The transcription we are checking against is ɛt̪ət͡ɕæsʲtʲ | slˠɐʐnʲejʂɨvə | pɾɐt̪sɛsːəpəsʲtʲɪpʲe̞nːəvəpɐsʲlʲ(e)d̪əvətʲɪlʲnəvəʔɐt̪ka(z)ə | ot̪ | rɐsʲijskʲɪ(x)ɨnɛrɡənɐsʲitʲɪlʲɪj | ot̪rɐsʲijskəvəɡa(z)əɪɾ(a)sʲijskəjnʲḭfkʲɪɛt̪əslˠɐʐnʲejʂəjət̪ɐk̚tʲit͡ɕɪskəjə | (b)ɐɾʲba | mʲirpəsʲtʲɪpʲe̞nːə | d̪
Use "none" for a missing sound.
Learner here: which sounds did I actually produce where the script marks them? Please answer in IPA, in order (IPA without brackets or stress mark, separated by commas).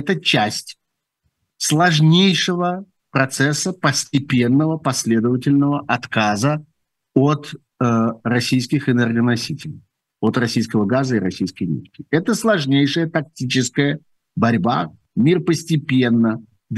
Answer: e, z, x, z, ɐ, b